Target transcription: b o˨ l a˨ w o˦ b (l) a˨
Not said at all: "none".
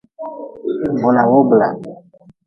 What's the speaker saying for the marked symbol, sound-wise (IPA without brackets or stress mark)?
l